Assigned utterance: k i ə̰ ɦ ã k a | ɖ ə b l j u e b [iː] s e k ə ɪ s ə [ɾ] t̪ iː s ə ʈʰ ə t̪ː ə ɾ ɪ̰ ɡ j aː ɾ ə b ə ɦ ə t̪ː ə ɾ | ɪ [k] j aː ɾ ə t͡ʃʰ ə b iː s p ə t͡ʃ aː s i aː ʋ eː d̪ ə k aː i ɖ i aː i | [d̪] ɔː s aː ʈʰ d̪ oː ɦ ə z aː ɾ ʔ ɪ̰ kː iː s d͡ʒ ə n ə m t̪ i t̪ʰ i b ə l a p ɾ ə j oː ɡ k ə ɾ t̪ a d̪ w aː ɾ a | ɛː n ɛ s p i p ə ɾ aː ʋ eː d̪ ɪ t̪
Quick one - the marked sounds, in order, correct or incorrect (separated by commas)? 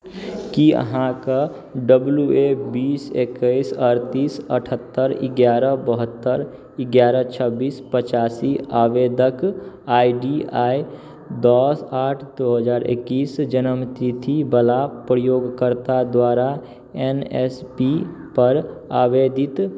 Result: correct, correct, incorrect, correct